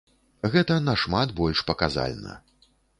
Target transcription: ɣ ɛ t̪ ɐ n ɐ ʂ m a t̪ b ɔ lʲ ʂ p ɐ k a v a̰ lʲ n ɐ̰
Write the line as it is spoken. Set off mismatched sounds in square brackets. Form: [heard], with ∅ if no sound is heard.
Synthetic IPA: ɣ ɛ t̪ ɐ n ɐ ʂ m a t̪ b ɔ lʲ ʂ p ɐ k a [z] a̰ lʲ n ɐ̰